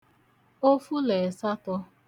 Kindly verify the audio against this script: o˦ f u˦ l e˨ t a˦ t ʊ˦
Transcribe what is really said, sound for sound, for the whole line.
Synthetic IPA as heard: o˦ f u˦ l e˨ s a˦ t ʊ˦